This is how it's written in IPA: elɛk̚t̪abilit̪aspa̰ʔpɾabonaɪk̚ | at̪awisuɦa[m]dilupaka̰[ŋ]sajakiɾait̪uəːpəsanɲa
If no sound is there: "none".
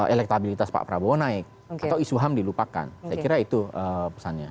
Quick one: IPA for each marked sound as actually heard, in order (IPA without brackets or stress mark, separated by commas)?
m, n